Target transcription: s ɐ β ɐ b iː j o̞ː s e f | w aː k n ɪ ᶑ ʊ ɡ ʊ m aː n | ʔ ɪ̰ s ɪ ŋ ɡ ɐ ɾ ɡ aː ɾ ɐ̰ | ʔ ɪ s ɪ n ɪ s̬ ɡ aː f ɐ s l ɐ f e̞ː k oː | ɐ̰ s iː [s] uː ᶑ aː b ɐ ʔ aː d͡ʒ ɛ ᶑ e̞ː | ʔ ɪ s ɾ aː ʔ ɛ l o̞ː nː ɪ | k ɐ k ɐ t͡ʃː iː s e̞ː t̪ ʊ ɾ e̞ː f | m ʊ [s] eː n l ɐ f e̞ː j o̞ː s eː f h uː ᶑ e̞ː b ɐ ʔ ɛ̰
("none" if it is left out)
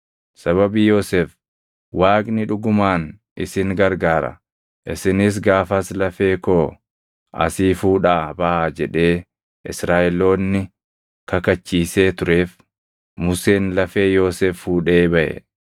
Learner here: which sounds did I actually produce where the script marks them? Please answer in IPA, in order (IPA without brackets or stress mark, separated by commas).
f, s